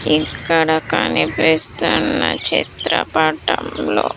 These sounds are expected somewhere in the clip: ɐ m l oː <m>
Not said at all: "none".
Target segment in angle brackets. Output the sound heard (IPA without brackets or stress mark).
none